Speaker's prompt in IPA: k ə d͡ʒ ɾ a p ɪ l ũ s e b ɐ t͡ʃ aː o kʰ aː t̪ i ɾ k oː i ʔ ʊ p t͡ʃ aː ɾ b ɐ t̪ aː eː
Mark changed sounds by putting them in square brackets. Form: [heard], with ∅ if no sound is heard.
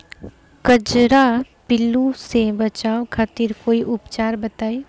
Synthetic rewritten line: k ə d͡ʒ ɾ a p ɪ l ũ s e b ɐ t͡ʃ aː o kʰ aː t̪ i ɾ k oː i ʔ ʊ p t͡ʃ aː ɾ b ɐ t̪ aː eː